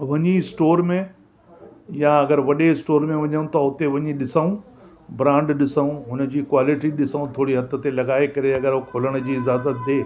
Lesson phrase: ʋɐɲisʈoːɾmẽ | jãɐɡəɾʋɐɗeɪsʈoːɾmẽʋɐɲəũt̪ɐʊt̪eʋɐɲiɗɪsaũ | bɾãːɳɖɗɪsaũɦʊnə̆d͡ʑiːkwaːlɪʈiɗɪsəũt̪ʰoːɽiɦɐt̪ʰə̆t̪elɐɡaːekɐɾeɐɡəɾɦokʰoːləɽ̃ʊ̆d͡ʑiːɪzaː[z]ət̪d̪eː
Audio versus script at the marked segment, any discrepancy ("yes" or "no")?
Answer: no